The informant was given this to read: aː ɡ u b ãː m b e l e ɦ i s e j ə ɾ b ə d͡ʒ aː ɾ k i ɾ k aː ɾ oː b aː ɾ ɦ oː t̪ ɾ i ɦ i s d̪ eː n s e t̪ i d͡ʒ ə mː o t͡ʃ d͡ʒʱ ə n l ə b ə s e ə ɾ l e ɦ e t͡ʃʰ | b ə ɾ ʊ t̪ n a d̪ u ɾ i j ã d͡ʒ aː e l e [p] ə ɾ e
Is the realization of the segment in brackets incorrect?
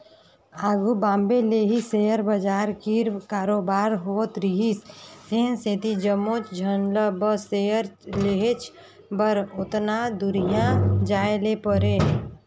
no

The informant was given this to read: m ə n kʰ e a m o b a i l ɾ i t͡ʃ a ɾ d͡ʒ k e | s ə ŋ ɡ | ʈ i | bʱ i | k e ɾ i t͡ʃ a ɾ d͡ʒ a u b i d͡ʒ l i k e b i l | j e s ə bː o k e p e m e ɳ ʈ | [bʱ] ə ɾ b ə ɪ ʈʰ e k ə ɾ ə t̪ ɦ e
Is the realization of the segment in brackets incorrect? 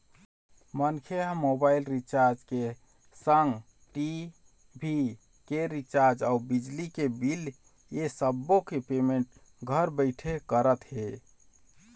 yes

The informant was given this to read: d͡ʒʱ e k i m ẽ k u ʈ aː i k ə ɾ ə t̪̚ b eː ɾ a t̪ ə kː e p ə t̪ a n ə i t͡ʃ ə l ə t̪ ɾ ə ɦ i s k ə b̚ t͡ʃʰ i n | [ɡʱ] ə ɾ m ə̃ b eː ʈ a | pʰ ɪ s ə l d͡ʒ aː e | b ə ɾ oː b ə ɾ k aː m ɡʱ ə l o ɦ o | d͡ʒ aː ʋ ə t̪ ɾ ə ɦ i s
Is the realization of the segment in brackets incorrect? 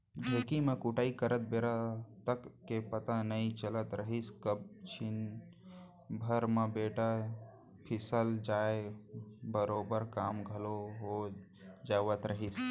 yes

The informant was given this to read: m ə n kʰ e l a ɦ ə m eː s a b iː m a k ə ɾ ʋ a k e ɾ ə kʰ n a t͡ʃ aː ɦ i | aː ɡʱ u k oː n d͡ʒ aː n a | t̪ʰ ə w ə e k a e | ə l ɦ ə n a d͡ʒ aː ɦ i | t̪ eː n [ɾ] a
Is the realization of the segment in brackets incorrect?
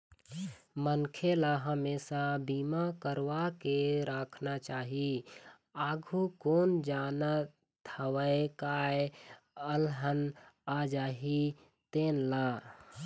yes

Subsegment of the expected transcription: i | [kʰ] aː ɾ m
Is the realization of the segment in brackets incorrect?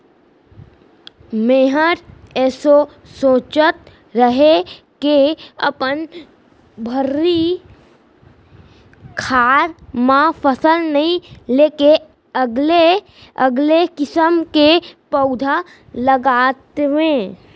no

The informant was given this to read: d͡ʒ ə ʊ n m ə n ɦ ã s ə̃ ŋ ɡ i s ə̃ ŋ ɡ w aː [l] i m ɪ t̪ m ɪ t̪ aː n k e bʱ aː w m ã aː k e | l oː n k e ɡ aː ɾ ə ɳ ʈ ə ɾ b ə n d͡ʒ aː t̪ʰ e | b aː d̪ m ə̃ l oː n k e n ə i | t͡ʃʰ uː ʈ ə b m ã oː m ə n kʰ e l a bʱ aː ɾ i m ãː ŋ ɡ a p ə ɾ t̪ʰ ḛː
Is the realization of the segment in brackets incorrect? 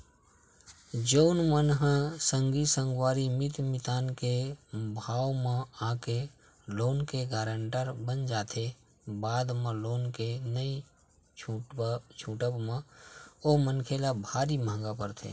yes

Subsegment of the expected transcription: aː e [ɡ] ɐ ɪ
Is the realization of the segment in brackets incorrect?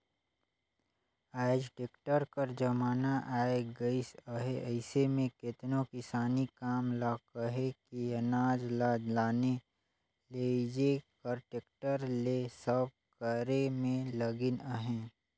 no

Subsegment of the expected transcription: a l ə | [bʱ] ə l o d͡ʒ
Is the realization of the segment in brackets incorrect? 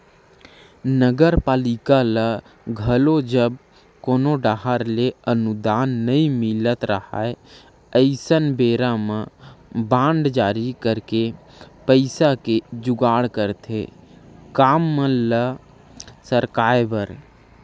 yes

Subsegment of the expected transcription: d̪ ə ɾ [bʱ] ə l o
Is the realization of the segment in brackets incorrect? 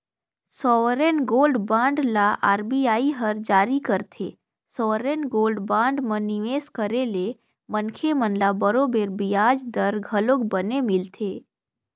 yes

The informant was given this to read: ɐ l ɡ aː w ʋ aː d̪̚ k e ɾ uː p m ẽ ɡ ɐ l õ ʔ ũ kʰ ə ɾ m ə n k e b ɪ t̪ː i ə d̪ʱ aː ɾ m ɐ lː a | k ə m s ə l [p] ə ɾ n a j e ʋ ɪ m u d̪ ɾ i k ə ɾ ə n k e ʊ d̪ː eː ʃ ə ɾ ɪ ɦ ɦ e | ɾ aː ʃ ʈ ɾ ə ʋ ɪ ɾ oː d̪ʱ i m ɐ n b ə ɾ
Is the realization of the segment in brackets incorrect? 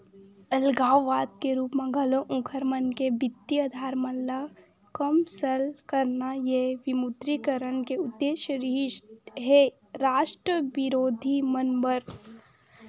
yes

